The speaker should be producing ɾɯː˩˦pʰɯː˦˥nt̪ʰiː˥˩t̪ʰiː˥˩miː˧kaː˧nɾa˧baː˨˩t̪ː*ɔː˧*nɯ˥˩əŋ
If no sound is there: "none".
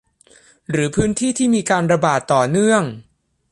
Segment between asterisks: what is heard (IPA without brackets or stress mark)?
ɔː˨˩